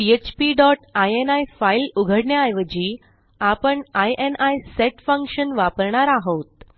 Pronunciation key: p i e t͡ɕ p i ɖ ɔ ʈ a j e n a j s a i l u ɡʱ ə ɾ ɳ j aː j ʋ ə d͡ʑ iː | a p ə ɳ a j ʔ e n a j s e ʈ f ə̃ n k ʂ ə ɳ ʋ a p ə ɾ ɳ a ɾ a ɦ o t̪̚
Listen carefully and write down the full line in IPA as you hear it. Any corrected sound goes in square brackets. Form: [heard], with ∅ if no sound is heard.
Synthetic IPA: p i e t͡ɕ p i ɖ ɔ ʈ a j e n a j [f] a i l u ɡʱ ə [ɽ] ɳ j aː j ʋ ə d͡ʑ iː | a p ə ɳ a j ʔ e n a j s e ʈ f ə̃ [ŋ] k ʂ ə [n] ʋ a p ə ɾ ɳ a ɾ a ɦ o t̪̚